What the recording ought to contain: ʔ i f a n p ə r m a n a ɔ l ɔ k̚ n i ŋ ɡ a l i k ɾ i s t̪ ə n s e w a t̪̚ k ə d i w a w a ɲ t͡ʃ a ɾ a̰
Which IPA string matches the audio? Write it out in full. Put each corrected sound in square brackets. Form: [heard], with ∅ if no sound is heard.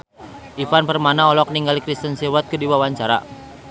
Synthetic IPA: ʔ i f a n p ə r m a n a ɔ l ɔ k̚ n i ŋ ɡ a l i k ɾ i s t̪ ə n s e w a t̪̚ k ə d i w a w a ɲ t͡ʃ a ɾ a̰